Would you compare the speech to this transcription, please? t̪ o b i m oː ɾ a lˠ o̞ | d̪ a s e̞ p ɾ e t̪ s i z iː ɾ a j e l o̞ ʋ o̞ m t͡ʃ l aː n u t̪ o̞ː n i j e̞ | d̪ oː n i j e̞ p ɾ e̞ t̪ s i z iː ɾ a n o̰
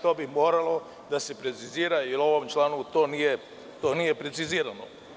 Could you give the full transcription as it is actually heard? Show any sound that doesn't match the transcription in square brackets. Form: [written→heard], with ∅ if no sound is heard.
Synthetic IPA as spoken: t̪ o b i m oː ɾ a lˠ o̞ | d̪ a s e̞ p ɾ e t̪ s i z iː ɾ a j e l o̞ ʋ o̞ m t͡ʃ l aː n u t̪ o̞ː n i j e̞ | [d̪→t̪] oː n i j e̞ p ɾ e̞ t̪ s i z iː ɾ a n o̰